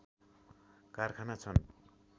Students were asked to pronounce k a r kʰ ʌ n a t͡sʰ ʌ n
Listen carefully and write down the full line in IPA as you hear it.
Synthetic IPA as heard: k a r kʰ a n a t͡sʰ ʌ n